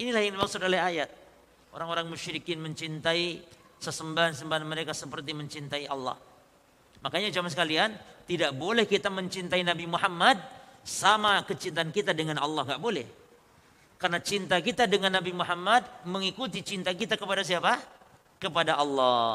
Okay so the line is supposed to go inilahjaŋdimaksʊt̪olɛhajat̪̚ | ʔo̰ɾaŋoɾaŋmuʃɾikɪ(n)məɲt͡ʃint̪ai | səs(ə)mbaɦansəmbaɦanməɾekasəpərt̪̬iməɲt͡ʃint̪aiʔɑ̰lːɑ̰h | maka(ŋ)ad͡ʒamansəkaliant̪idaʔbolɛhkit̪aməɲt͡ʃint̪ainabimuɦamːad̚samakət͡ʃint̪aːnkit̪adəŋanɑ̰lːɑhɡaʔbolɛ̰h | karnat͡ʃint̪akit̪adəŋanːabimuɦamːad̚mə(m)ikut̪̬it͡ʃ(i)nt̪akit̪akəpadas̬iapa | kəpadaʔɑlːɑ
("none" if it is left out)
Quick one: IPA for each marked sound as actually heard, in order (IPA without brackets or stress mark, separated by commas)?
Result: n, ə, ɲ, ŋ, i